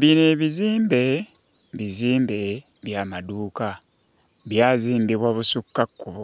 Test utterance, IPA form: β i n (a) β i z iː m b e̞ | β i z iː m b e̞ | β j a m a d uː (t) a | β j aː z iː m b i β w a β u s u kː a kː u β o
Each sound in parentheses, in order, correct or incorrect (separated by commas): incorrect, incorrect